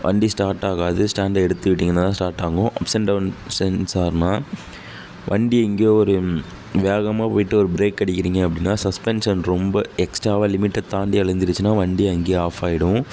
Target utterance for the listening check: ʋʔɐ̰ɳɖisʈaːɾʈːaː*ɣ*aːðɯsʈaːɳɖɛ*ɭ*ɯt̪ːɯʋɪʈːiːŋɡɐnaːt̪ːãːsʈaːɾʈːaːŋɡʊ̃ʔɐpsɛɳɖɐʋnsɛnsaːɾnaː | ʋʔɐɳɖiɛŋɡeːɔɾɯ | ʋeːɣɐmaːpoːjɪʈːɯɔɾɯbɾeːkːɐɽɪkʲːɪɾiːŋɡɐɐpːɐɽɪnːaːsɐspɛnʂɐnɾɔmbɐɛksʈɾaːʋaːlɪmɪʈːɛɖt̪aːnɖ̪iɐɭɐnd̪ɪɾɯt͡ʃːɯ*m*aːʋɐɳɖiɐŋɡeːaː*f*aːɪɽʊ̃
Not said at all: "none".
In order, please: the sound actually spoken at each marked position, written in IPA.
ɣ, ɽ, n, f

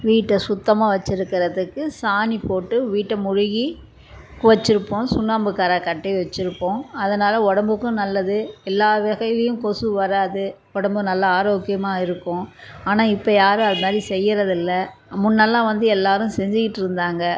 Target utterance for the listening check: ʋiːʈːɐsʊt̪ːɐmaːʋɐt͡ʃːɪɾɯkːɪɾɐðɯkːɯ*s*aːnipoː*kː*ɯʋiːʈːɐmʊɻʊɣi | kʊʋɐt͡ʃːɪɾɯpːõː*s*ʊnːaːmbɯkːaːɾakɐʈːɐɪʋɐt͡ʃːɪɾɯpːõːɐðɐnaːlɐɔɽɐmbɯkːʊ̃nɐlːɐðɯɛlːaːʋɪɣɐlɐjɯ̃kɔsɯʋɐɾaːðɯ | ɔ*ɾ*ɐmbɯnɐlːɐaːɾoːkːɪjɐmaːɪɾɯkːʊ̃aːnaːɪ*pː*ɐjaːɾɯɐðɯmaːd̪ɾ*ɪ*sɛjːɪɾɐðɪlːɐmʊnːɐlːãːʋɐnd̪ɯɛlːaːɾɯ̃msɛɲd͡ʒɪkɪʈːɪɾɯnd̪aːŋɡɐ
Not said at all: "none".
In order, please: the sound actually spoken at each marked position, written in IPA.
s, ʈː, s, ɽ, pː, i

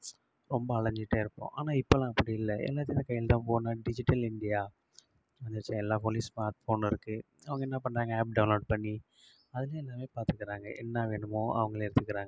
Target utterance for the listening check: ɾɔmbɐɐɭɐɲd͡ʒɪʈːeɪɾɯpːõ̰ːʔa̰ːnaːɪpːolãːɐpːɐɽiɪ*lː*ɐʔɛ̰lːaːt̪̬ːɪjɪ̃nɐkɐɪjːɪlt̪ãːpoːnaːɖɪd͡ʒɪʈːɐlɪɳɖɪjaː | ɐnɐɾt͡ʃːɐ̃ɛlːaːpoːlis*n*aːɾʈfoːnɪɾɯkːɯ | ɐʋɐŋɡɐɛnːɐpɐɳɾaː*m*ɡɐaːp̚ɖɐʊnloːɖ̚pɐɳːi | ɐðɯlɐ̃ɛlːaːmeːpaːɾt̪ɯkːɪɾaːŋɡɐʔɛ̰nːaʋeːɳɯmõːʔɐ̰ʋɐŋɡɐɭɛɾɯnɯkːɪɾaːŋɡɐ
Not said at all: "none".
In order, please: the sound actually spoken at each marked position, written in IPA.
lː, m, ŋ

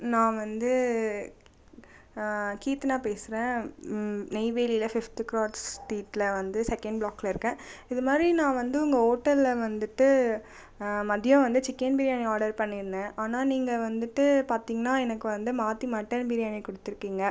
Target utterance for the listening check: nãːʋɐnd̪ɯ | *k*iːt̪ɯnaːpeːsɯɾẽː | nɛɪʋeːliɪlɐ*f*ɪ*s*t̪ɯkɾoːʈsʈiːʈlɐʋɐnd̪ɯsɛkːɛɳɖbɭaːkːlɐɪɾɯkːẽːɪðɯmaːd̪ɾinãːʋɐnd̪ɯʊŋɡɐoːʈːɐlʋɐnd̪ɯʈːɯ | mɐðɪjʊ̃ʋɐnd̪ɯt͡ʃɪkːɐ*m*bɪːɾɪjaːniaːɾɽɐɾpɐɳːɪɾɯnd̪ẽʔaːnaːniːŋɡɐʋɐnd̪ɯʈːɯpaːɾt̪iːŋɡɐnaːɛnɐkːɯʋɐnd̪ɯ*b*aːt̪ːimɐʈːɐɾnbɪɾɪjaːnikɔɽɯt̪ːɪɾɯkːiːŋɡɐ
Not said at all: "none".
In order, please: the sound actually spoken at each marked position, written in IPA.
k, f, f, n, m

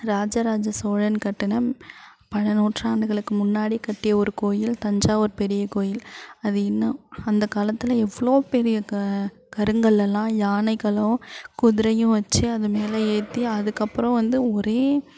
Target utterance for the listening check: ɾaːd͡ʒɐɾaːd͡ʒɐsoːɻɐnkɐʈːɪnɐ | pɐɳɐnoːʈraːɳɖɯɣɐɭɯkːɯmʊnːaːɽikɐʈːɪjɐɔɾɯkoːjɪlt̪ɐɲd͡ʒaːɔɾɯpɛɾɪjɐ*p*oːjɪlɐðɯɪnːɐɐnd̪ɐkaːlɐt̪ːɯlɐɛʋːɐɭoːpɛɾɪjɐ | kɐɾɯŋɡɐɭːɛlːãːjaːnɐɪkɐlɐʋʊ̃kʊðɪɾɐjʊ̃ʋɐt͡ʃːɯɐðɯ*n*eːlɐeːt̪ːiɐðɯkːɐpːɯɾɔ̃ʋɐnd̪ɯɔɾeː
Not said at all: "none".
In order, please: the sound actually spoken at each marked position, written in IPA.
k, m

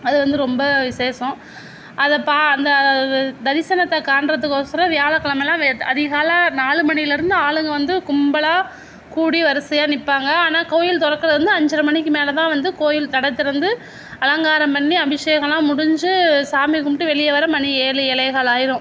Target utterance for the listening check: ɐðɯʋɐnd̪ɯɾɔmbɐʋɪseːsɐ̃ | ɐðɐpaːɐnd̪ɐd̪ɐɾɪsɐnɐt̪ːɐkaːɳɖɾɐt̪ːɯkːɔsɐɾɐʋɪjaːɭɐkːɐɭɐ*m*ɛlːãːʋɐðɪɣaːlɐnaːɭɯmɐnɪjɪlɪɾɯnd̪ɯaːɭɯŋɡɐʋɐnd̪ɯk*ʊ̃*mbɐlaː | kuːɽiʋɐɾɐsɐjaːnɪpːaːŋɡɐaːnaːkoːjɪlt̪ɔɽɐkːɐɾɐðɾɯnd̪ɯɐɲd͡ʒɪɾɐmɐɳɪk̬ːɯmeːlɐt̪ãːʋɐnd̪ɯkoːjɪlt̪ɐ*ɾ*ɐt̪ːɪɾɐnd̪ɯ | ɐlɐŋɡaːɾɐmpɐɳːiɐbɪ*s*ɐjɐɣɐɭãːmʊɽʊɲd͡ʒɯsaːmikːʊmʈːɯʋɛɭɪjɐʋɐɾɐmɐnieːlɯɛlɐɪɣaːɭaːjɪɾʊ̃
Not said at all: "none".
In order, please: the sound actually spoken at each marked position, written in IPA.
m, ʊ, ɽ, ʂ

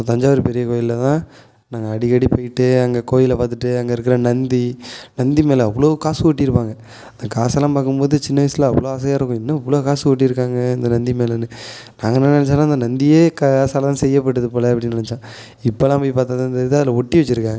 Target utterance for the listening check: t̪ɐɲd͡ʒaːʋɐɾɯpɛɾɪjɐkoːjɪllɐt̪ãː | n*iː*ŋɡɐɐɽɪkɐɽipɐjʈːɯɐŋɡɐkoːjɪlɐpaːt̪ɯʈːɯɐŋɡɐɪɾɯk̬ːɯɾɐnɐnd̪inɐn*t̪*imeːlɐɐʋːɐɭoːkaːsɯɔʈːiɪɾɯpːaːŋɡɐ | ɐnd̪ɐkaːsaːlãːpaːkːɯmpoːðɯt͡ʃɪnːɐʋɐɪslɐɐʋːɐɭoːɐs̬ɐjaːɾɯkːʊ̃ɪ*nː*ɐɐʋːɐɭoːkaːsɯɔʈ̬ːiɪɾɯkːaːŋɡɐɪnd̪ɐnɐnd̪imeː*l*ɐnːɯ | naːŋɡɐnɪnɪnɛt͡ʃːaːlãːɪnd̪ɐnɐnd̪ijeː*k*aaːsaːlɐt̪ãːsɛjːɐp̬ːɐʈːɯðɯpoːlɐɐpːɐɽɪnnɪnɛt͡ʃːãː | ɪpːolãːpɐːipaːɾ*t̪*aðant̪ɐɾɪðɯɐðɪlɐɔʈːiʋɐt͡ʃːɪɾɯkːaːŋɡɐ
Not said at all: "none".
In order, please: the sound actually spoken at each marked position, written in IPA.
aː, d̪, nː, l, k, t̪

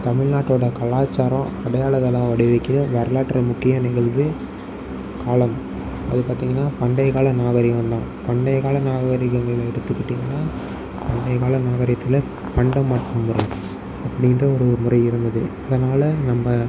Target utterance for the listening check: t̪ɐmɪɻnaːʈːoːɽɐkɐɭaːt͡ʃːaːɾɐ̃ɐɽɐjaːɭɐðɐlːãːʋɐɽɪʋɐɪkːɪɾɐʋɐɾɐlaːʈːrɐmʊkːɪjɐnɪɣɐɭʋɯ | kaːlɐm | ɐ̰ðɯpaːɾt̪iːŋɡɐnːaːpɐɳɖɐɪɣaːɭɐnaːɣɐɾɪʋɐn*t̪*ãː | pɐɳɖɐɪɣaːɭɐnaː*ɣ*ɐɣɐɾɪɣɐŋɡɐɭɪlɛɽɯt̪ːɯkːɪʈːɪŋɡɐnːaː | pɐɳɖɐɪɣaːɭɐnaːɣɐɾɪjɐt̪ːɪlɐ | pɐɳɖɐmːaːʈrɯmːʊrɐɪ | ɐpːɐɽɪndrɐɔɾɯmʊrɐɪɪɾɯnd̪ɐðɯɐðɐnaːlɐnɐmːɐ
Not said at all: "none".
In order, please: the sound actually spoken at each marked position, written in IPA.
d̪, ɣ

